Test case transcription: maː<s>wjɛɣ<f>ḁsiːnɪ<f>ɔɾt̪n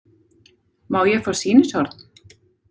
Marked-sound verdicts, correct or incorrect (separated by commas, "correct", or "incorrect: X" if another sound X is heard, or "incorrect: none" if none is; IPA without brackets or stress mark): incorrect: none, correct, incorrect: s